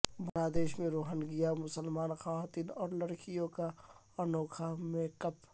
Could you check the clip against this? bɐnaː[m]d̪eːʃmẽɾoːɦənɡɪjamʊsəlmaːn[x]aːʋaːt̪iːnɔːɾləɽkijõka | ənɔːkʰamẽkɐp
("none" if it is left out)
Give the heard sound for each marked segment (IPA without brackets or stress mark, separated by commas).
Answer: none, x